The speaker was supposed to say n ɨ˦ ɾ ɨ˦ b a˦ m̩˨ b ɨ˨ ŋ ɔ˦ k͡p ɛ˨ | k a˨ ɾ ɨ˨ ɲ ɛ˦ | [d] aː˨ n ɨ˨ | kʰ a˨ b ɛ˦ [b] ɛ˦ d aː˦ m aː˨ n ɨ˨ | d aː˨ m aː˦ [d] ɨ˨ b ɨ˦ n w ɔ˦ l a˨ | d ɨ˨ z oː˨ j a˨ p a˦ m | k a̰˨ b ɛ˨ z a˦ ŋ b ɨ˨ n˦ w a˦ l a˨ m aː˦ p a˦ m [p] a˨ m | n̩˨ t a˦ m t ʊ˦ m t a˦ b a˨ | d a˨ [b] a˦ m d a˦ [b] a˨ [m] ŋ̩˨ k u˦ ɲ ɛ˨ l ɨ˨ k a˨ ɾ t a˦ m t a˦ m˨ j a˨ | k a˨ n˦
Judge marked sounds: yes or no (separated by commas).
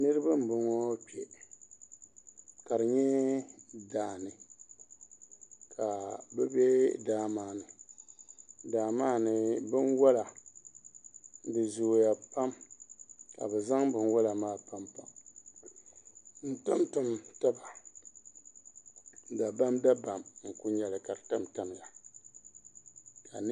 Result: yes, yes, no, yes, yes, yes, yes